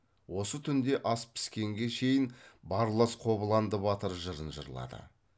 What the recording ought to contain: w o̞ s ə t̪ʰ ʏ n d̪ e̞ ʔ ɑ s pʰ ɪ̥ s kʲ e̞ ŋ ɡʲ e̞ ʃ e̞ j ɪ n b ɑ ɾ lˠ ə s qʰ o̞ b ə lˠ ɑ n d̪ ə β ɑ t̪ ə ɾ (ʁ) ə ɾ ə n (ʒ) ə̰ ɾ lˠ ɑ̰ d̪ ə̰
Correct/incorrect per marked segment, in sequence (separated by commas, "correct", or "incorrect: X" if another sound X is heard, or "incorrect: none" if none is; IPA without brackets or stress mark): incorrect: ʒ, correct